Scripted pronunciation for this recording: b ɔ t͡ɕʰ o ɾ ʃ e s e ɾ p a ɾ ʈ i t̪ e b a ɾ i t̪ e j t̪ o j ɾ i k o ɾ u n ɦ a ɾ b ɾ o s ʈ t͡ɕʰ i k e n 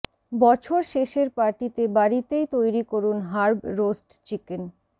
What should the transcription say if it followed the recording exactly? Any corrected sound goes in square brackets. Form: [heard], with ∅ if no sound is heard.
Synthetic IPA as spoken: b ɔ t͡ɕʰ o ɾ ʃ e [ʃ] e ɾ p a ɾ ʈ i t̪ e b a ɾ i t̪ e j t̪ o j ɾ i k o ɾ u n ɦ a ɾ b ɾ o s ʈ [t͡ɕ] i k e n